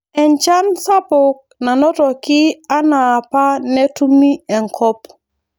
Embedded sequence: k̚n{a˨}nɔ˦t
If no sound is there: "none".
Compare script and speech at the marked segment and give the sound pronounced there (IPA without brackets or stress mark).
a˨